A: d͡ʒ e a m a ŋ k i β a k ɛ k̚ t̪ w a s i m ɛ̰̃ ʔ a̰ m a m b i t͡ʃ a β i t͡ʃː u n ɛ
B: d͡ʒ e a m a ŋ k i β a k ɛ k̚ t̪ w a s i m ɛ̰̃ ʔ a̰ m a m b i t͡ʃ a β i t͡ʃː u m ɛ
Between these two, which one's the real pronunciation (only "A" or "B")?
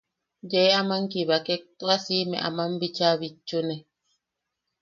A